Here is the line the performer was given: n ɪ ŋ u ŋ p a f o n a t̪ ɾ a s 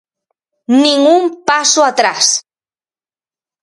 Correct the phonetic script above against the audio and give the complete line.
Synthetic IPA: n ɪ ŋ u m p a s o a t̪ ɾ a s